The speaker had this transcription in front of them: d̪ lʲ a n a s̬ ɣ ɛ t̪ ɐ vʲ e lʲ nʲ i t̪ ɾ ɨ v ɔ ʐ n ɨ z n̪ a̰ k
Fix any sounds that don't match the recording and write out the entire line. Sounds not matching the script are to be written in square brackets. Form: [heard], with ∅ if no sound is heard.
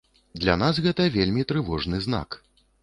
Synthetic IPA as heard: d̪ lʲ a n a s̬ ɣ ɛ t̪ ɐ vʲ e lʲ [mʲ] i t̪ ɾ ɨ v ɔ ʐ n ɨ z n̪ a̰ k